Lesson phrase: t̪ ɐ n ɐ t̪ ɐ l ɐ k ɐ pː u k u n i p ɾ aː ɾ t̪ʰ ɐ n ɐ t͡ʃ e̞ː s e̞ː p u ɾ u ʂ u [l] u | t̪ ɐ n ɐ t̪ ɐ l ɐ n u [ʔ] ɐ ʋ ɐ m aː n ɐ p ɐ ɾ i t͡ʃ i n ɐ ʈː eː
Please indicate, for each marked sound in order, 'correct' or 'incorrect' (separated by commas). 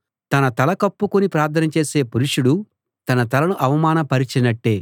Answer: incorrect, correct